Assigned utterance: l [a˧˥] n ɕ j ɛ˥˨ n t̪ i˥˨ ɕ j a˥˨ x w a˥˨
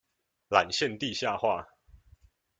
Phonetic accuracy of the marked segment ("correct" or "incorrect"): incorrect